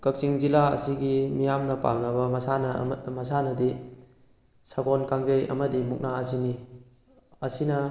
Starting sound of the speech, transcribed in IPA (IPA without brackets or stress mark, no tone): k